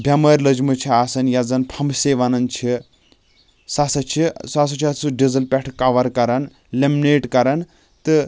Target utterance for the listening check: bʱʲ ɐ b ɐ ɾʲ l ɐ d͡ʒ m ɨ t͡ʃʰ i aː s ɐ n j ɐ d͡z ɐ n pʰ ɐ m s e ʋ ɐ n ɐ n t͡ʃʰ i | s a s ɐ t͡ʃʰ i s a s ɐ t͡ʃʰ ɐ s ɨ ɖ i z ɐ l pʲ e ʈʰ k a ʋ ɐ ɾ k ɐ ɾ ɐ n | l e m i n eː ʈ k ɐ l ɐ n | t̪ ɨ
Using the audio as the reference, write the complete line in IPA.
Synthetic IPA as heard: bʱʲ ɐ m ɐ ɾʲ l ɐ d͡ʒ m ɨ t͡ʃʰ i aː s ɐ n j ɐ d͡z ɐ n pʰ ɐ m s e ʋ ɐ n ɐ n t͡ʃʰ i | s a s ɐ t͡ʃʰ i s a s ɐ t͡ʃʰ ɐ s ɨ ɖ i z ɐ l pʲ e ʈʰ k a ʋ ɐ ɾ k ɐ ɾ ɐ n | l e m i n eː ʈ k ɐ ɾ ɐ n | t̪ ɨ